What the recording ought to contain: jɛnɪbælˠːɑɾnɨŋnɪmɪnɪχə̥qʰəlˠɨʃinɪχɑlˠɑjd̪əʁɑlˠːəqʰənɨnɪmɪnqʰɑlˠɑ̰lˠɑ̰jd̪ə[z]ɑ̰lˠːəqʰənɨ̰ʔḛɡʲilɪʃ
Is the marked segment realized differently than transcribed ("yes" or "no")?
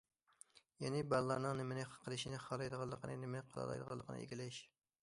yes